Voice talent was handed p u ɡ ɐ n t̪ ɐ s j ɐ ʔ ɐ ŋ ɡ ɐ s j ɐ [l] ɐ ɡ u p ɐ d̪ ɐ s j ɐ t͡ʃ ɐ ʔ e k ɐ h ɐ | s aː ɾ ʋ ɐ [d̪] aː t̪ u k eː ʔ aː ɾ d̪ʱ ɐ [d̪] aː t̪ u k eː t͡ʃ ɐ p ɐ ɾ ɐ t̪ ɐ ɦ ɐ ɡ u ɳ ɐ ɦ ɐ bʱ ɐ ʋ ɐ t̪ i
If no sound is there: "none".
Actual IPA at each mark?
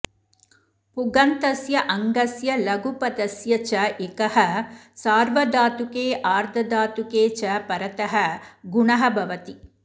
l, d̪, d̪

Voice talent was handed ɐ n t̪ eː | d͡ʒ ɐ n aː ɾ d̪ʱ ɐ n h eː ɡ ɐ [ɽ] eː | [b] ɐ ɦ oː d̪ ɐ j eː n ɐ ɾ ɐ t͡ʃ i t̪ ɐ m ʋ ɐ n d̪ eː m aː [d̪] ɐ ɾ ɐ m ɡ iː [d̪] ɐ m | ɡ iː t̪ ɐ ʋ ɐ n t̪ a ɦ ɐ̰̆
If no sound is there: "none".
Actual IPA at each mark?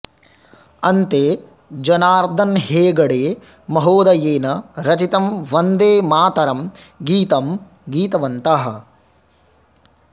ɽ, m, t̪, t̪

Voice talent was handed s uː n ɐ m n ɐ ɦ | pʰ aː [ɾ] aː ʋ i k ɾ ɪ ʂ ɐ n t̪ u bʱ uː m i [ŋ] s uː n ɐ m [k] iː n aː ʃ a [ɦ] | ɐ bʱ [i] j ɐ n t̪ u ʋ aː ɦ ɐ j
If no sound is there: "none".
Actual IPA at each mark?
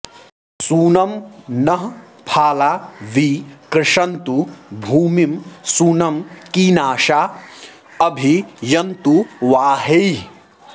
l, m, k, none, i

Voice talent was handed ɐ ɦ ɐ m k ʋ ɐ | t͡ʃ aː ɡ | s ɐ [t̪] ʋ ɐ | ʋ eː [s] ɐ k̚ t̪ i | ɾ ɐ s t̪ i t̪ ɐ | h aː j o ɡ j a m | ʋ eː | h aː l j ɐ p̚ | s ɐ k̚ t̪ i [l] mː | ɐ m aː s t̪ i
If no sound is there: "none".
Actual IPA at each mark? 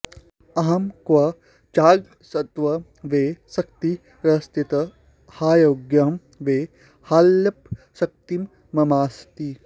t̪, s, none

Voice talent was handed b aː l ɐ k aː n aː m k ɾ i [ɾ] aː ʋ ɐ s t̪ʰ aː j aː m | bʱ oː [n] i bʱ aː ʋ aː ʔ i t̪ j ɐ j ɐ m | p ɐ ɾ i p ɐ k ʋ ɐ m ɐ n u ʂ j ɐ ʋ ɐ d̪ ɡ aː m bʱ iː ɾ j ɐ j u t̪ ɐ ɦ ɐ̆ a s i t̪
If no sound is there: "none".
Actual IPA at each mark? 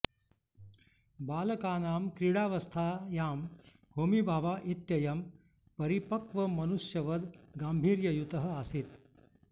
ɽ, m

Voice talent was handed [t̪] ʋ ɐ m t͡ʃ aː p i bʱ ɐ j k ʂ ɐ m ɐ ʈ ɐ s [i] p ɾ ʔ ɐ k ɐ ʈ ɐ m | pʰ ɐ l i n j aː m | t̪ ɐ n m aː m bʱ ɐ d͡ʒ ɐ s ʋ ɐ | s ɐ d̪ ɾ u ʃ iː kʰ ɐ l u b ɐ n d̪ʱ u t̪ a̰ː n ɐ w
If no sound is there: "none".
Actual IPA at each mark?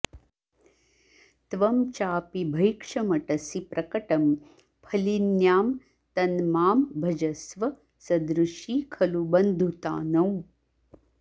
t̪, i

